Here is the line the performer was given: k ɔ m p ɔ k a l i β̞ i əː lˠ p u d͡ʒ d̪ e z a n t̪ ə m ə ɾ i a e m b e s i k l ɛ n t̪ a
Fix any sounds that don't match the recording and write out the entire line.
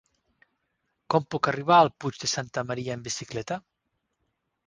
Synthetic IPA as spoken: k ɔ m p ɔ k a r i β̞ a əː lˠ p u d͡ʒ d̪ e s a n t̪ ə m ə ɾ i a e m b i s i k l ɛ t̪ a